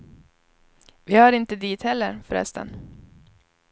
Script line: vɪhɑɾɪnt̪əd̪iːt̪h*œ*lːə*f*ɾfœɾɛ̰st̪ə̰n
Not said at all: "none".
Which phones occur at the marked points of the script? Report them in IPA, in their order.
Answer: ɛ, none

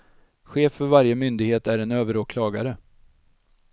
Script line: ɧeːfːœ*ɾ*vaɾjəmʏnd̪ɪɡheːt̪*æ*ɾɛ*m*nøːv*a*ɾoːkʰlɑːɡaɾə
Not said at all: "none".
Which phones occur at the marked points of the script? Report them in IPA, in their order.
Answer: ɾ, æ, none, ə

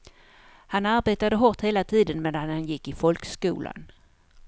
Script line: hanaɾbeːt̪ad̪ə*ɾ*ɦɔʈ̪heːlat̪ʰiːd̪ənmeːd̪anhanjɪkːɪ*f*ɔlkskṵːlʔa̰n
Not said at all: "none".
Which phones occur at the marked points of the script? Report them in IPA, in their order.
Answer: none, f

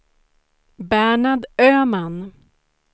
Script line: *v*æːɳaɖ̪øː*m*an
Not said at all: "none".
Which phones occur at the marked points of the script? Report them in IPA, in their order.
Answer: b, m

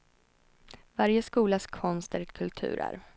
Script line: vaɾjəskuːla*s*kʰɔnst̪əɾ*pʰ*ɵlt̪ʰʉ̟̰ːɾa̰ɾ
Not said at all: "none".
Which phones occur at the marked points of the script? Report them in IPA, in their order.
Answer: s, kʰ

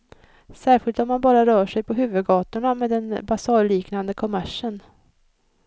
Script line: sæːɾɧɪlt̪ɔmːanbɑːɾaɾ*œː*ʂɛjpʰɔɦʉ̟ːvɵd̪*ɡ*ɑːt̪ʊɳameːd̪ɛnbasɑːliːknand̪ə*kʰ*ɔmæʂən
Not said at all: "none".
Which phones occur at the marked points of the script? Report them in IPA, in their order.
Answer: œː, ɡ, kʰ

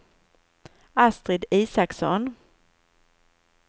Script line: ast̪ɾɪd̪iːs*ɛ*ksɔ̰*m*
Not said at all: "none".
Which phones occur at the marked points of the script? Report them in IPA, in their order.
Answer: a, n

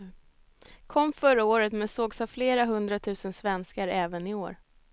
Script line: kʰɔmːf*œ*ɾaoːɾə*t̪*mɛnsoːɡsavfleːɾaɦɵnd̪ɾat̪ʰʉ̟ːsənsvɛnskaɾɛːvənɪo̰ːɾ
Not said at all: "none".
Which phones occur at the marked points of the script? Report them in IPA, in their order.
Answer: œ, t̪

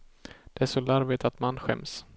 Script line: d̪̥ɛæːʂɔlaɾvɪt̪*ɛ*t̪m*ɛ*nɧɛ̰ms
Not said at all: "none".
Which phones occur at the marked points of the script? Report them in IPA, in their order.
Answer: a, a

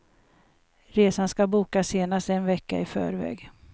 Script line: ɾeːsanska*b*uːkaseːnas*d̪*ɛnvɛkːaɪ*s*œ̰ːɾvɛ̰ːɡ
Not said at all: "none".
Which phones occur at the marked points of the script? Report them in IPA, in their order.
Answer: b, t̪, f

